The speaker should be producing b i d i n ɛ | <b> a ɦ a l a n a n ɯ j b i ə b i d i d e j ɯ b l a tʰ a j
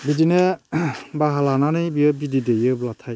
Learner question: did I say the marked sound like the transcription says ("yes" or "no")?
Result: yes